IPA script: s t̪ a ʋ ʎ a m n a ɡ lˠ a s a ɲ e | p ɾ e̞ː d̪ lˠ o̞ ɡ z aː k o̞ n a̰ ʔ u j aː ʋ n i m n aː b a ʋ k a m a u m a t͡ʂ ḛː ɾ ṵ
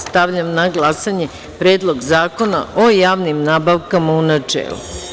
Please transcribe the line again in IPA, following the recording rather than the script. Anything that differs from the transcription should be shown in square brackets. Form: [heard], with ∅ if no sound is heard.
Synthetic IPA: s t̪ a ʋ ʎ a m n a ɡ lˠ a s a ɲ e | p ɾ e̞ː d̪ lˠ o̞ ɡ z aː k o̞ n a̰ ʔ [o] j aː ʋ n i m n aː b a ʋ k a m a u [n] a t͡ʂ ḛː [l] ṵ